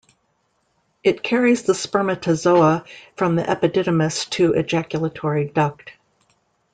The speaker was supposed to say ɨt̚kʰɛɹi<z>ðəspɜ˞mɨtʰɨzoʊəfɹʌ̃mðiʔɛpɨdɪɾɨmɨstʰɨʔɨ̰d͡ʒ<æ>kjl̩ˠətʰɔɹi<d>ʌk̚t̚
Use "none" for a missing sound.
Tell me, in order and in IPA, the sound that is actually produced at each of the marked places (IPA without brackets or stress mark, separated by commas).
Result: z, æ, d